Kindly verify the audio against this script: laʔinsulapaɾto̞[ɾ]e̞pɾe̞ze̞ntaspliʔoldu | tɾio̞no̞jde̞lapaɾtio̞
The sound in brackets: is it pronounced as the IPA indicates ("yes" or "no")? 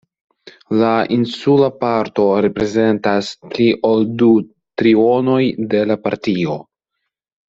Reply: yes